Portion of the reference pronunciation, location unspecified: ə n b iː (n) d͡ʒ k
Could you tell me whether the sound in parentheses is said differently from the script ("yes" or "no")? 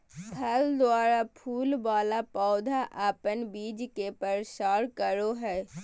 yes